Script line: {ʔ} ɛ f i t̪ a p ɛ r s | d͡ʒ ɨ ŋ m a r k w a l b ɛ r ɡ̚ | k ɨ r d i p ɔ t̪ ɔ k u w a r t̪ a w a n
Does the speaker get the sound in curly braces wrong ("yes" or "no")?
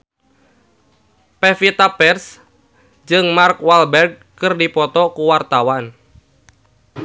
yes